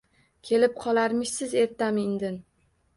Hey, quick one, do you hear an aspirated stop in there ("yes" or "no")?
yes